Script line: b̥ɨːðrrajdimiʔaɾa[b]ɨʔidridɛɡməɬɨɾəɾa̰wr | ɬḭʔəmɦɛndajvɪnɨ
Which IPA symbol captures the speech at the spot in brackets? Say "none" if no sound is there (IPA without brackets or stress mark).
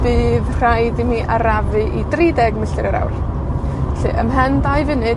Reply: v